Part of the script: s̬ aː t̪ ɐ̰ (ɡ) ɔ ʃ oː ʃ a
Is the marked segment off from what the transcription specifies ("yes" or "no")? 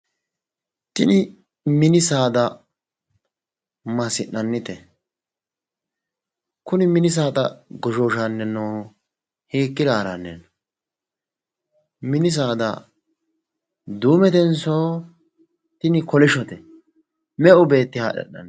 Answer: no